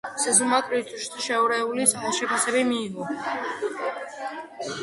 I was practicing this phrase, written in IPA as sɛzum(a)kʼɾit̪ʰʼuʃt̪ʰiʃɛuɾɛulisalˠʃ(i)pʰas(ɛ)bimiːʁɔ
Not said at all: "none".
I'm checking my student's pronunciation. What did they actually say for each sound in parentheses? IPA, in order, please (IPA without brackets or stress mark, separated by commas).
a, ɛ, ɛ